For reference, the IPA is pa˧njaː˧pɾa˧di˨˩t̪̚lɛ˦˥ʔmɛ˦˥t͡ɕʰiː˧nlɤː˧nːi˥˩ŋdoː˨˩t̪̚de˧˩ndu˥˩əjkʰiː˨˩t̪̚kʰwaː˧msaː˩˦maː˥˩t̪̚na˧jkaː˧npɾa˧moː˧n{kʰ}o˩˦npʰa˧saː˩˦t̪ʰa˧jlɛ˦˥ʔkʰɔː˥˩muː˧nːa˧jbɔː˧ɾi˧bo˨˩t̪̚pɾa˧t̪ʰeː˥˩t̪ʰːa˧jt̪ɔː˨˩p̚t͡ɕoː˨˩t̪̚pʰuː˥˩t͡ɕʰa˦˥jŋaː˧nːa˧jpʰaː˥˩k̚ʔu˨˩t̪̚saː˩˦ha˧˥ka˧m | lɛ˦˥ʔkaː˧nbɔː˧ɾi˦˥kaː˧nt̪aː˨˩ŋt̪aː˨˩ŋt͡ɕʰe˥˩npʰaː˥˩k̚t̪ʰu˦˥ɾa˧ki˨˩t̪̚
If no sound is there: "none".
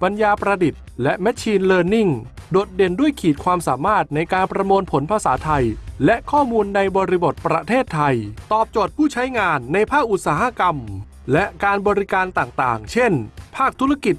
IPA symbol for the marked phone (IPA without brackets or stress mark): pʰ